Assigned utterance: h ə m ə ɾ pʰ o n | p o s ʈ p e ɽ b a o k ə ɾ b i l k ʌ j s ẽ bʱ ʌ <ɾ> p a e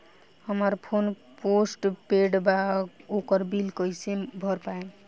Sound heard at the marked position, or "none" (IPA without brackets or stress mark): ɾ